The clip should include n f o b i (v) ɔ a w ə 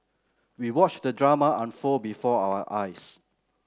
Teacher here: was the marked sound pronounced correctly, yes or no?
no